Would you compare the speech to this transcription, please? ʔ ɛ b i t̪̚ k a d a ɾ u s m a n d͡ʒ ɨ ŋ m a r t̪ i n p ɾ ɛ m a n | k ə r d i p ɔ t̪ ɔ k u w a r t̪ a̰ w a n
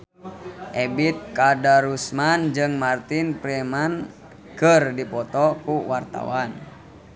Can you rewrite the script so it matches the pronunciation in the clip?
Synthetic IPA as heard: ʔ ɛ b i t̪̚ k a d a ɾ u s m a n d͡ʒ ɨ ŋ m a r t̪ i n p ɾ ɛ m a n | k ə r d i p ɔ t̪ ɔ k u w a r t̪ a̰ w a n